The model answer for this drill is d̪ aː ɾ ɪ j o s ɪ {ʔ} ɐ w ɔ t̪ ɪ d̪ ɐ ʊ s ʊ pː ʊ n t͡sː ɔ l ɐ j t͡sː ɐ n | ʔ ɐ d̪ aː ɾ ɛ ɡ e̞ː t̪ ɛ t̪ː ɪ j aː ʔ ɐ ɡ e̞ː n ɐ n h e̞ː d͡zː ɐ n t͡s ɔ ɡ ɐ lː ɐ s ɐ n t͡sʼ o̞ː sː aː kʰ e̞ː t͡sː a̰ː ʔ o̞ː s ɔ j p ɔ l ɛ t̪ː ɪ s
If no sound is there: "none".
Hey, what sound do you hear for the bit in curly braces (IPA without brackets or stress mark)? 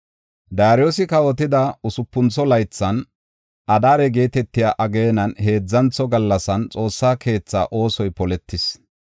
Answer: k